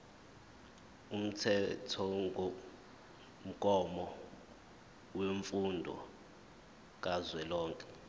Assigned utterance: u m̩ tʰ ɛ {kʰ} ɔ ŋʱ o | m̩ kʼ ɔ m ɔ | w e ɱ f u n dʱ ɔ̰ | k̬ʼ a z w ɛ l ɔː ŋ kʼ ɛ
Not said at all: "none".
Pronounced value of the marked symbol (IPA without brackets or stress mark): tʰ